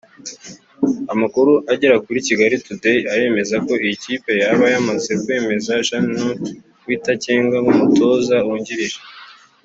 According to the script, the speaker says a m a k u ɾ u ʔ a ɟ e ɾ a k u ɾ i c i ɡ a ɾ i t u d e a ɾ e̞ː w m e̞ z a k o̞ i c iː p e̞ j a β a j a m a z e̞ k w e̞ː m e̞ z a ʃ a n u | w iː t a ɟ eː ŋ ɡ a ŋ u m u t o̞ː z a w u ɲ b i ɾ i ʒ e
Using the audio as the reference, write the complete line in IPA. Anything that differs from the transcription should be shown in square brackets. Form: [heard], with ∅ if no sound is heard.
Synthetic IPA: a m a k u ɾ u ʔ a ɟ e ɾ a k u ɾ i c i ɡ a ɾ i t u d e a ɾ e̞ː [∅] m e̞ z a k o̞ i c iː p e̞ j a β a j a m a z e̞ k w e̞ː m e̞ z a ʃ a n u | w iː t a [c] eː ŋ ɡ a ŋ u m u t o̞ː z a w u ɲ [ɟ] i ɾ i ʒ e